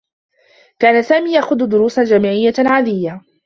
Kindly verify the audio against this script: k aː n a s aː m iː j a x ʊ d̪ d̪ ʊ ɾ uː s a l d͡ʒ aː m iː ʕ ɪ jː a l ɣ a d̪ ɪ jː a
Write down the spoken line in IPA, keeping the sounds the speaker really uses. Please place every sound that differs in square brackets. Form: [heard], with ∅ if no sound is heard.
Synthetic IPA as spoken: k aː n a s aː m iː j a x ʊ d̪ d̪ ʊ ɾ uː s a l d͡ʒ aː m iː ʕ ɪ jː a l [ʕ] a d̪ ɪ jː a